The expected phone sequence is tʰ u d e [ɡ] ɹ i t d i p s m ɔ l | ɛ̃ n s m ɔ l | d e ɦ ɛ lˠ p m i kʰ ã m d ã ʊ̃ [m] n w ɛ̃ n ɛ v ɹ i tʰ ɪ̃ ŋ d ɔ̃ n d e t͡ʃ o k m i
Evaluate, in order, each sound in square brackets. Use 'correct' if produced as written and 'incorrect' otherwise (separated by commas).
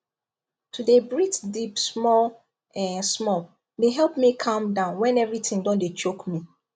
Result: incorrect, incorrect